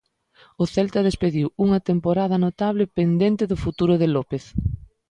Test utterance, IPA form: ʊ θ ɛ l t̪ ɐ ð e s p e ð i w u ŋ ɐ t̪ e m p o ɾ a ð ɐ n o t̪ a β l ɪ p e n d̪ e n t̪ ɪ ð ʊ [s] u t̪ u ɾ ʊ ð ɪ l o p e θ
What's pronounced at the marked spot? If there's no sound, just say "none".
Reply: f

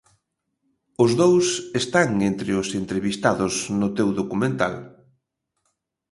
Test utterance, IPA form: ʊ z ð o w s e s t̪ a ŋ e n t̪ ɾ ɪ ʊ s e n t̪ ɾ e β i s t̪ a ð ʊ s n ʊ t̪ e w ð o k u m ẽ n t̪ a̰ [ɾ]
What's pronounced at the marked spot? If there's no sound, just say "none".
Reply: l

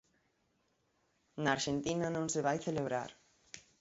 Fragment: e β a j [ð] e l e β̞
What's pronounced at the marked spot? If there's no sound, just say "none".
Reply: θ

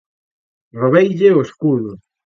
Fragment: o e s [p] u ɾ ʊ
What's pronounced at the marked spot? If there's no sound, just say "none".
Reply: k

